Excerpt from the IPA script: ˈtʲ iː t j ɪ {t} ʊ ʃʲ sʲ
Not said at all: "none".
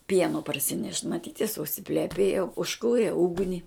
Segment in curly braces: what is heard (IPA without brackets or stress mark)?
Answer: s